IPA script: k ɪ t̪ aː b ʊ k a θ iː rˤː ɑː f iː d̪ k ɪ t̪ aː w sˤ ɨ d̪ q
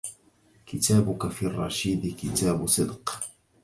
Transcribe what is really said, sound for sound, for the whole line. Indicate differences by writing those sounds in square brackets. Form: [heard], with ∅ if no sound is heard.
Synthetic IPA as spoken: k ɪ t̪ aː b ʊ k a [f] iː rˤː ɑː [ʃ] iː d̪ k ɪ t̪ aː [b] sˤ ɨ d̪ q